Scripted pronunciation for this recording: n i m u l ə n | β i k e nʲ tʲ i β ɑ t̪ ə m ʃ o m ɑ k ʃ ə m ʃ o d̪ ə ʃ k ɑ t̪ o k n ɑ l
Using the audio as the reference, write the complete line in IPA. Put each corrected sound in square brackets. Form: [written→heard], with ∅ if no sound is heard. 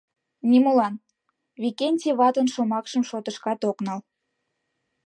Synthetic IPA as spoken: n i m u l [ə→ɑ] n | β i k e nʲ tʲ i β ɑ t̪ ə [m→n] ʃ o m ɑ k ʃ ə m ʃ o [d̪→t̪] ə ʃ k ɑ t̪ o k n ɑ l